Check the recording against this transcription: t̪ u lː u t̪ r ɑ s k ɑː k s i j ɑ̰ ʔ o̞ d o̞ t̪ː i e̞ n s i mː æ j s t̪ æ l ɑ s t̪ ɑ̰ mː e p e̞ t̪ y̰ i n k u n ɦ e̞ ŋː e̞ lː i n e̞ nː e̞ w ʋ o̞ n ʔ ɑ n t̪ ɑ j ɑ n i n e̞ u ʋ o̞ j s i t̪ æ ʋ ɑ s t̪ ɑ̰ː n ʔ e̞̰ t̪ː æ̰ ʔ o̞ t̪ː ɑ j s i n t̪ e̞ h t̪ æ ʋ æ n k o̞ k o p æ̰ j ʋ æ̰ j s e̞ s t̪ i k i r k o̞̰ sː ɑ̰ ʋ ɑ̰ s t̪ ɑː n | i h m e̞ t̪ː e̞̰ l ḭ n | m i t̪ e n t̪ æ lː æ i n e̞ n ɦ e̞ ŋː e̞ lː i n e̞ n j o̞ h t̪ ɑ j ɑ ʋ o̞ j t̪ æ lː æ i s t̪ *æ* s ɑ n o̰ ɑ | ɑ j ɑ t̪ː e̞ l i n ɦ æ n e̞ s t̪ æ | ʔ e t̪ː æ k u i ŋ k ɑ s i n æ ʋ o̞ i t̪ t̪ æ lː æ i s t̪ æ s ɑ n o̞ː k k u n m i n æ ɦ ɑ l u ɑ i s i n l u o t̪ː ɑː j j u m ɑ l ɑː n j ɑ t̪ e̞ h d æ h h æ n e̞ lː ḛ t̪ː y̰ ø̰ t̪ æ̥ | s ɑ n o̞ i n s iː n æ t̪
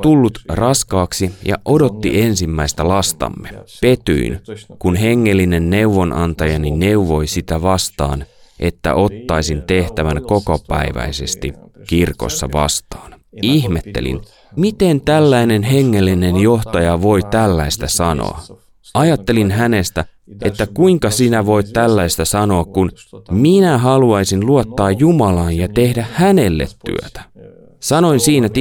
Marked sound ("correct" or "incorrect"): correct